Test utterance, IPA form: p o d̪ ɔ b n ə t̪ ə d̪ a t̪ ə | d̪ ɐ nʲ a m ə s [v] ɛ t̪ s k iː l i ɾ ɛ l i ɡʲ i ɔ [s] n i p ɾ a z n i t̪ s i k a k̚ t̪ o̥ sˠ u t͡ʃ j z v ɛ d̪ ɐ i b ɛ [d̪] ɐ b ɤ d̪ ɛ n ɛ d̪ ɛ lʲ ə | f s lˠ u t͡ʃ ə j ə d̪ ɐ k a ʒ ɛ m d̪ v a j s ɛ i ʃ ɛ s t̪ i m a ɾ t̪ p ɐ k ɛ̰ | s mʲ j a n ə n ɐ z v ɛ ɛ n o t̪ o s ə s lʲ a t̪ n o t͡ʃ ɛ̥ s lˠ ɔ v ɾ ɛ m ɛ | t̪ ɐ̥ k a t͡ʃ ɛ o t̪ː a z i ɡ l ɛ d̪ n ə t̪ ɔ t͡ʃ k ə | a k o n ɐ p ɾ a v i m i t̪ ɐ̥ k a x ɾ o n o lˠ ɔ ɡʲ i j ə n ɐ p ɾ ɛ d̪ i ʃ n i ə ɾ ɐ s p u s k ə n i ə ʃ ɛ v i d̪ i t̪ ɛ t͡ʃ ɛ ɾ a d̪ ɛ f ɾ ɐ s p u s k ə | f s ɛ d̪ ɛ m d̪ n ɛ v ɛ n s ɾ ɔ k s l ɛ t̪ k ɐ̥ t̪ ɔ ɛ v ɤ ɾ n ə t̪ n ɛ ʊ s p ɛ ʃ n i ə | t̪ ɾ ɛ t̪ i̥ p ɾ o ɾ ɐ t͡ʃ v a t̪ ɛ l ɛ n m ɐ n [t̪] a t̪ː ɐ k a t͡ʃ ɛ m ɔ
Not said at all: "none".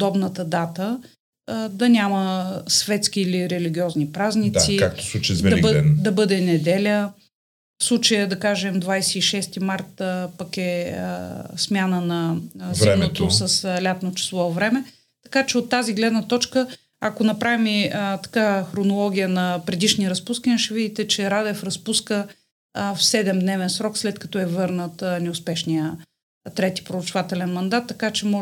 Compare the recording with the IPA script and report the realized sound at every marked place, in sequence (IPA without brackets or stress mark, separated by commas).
v, z, d̪, d̪